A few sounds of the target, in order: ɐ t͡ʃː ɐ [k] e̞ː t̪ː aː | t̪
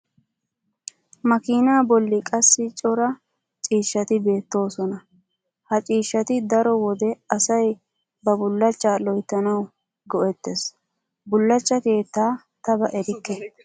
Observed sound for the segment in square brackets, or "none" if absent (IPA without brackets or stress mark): k